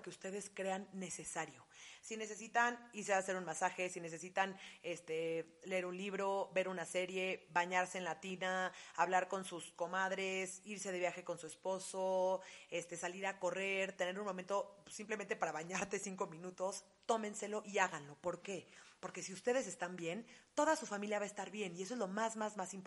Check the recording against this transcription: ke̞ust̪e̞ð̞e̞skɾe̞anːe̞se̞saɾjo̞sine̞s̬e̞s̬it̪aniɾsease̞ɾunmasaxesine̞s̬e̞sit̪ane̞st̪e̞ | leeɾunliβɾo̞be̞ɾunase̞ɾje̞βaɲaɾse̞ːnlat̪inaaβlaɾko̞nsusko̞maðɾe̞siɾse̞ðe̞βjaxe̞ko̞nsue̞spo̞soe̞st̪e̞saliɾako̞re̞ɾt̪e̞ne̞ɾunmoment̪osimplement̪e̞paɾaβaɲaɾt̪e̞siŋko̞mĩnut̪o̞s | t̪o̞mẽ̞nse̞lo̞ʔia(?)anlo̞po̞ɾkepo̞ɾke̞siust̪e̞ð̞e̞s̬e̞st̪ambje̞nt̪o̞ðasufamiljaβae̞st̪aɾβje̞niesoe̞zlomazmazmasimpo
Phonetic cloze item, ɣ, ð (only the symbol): ɣ